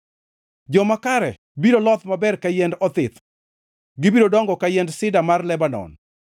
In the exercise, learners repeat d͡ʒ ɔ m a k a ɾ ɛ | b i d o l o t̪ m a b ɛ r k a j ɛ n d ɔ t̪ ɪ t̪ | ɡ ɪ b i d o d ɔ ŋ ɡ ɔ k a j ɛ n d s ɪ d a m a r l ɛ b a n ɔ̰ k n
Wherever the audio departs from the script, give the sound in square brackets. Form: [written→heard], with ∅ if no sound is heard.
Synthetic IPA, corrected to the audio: d͡ʒ ɔ m a k a ɾ ɛ | b i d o l [o→ɔ] t̪ m a b ɛ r k a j ɛ n d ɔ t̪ ɪ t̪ | ɡ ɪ b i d o d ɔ ŋ ɡ ɔ k a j ɛ n d s ɪ d a m a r l ɛ b a n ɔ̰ [k→∅] n